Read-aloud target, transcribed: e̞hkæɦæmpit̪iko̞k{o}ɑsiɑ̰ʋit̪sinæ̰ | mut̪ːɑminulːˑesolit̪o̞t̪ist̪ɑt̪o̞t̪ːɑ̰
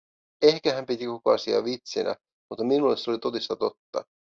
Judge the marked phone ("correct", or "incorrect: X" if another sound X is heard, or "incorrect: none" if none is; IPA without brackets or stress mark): correct